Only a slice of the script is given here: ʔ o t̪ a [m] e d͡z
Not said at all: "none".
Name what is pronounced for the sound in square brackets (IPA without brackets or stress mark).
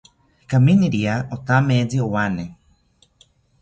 m